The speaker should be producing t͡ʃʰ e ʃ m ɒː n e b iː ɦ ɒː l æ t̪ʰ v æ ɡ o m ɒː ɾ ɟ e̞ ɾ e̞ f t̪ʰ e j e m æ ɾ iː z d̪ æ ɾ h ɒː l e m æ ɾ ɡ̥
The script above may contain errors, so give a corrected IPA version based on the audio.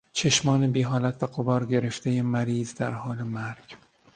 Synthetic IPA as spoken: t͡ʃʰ e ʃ m ɒː n e b iː ɦ ɒː l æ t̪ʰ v æ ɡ o b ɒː ɾ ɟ e̞ ɾ e̞ f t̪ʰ e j e m æ ɾ iː z d̪ æ ɾ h ɒː l e m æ ɾ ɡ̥